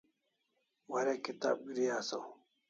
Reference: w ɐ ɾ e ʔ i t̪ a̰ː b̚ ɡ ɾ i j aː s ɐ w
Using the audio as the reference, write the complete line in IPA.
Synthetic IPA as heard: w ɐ ɾ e k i t̪ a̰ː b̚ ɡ ɾ i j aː s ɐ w